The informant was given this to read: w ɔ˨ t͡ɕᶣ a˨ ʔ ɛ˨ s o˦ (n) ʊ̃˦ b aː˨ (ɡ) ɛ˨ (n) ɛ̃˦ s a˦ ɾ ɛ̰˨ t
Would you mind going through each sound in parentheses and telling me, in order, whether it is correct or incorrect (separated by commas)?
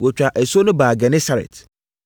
correct, correct, correct